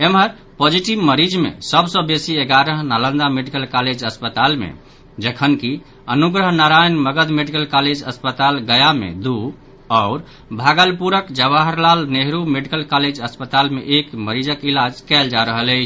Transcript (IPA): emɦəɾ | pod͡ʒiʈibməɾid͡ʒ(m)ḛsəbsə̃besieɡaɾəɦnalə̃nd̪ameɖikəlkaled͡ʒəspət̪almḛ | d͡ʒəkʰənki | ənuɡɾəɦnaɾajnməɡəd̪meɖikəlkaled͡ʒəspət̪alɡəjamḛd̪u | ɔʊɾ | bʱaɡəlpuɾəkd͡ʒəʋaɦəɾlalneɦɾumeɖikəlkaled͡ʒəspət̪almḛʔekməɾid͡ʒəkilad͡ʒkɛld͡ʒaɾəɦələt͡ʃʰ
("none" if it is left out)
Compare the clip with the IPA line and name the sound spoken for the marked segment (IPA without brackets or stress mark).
m